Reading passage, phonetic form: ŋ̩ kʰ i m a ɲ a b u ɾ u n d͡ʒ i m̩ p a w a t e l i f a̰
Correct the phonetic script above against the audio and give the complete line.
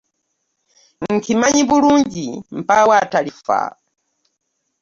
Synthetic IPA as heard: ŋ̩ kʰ i m a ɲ i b u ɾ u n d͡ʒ i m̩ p a w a t a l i f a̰